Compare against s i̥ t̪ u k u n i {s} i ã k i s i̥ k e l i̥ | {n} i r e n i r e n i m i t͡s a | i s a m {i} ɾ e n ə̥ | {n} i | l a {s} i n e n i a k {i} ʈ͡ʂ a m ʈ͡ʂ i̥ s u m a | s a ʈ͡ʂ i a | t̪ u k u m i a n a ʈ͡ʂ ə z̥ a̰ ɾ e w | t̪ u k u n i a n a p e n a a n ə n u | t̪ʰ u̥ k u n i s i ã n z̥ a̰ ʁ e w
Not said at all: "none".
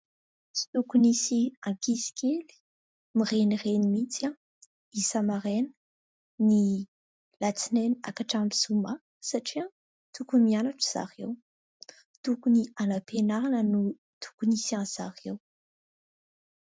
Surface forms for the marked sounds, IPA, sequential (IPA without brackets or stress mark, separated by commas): s, m, a, n, t͡s, a